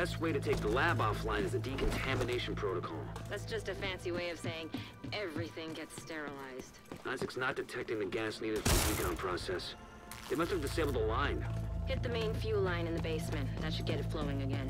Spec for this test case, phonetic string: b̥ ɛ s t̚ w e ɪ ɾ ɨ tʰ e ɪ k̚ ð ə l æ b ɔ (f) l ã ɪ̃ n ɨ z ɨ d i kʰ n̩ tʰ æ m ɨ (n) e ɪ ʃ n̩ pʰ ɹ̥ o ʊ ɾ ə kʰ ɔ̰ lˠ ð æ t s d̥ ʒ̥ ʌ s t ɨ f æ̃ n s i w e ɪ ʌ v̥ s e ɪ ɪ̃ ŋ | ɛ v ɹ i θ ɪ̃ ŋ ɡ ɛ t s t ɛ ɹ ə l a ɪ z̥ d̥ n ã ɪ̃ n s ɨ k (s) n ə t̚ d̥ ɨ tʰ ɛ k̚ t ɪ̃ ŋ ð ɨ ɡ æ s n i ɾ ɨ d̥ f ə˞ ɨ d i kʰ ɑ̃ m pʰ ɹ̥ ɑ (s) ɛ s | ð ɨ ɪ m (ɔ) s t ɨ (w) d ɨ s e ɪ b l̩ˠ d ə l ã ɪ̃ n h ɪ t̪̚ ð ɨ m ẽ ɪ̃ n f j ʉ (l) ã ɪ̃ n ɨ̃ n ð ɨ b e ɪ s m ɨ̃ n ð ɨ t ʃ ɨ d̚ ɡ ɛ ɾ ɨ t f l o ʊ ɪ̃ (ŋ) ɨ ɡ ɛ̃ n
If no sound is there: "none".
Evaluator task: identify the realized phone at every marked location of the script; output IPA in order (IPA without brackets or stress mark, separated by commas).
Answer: f, n, s, s, ʌ, v, l, ŋ